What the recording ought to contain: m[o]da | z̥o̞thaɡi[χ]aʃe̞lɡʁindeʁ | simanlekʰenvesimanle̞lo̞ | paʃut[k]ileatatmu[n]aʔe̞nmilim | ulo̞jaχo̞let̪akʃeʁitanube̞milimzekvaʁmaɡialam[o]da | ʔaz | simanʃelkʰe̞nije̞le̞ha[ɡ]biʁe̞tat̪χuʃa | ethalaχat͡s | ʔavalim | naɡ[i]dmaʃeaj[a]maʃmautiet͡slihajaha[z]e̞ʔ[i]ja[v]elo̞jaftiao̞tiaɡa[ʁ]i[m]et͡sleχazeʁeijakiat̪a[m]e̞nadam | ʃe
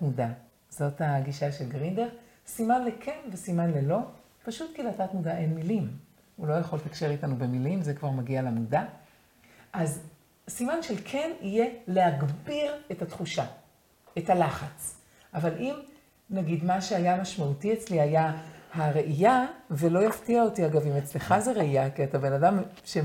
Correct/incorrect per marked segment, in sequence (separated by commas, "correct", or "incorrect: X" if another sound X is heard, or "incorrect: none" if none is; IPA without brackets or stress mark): incorrect: u, incorrect: ʃ, correct, incorrect: d, incorrect: u, correct, correct, correct, incorrect: ʁ, correct, correct, incorrect: v, correct, incorrect: b